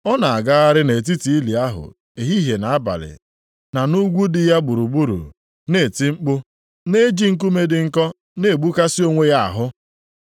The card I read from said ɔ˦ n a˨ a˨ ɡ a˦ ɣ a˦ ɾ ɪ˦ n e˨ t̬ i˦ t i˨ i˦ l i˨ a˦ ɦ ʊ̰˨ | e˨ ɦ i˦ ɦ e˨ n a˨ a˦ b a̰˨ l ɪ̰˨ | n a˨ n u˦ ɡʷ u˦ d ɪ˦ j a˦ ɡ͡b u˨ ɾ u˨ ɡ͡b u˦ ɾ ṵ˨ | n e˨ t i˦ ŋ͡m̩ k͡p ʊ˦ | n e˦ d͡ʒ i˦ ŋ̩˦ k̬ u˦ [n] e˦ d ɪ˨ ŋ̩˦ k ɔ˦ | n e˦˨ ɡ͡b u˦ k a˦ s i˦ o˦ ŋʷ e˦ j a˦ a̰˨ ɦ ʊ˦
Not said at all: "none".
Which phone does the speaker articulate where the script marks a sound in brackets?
m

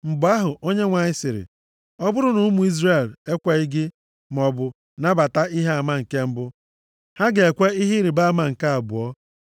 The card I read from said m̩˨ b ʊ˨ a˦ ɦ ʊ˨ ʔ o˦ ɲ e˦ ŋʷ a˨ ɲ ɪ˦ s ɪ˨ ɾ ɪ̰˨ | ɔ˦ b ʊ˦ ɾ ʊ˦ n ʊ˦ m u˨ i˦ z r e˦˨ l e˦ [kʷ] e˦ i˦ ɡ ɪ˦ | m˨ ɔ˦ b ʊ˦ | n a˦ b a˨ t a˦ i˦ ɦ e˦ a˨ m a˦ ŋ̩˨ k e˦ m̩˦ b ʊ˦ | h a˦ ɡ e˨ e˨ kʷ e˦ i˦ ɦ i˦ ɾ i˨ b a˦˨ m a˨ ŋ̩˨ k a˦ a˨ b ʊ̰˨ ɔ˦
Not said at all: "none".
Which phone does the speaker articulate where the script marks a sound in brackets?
kʷ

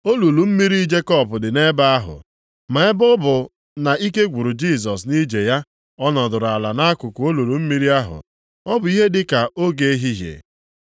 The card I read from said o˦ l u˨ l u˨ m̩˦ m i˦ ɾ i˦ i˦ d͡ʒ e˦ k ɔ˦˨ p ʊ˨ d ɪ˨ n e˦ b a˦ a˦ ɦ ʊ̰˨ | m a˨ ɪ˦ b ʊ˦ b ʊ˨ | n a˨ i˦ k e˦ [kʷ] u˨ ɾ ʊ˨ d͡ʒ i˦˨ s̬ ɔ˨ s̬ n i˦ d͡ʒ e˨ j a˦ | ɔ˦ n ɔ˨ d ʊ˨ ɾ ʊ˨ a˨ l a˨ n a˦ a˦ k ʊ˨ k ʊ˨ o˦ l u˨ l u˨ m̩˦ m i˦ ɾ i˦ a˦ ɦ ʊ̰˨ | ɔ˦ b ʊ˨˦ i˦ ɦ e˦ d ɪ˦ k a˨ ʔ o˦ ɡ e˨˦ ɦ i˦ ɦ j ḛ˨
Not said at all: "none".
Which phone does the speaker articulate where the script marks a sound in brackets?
ɡʷ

